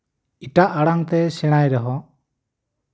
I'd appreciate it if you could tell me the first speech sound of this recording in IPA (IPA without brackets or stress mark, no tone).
i